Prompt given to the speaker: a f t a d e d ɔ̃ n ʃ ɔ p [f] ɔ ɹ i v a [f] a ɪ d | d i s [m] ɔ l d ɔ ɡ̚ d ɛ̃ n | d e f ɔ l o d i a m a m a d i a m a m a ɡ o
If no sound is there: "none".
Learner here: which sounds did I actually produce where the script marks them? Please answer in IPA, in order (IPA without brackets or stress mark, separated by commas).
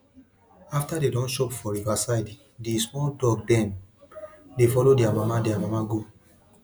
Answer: f, s, m